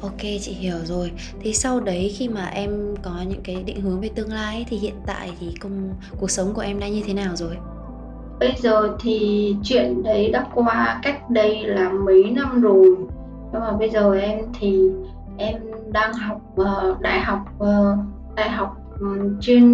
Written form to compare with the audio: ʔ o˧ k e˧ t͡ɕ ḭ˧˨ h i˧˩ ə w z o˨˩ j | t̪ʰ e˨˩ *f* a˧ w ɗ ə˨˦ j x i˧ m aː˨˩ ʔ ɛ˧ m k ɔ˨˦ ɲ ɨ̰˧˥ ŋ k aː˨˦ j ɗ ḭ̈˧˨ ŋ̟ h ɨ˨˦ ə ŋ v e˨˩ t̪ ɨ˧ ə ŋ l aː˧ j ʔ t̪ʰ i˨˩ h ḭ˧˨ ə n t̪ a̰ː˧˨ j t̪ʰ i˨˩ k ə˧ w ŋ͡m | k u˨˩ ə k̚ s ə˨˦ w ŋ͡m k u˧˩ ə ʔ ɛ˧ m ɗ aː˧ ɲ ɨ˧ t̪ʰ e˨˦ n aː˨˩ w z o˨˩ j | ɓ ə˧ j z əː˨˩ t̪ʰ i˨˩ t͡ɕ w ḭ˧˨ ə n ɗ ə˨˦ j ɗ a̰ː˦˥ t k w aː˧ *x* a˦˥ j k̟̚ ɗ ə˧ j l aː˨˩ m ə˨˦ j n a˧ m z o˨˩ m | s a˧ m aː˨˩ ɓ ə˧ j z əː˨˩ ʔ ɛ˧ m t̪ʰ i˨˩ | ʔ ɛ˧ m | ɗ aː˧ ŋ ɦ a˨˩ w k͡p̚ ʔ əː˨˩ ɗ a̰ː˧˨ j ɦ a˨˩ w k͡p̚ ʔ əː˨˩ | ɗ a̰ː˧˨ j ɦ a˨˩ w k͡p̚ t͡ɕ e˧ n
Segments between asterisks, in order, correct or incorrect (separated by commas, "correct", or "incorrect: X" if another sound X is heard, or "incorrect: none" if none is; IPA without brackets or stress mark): incorrect: s, incorrect: k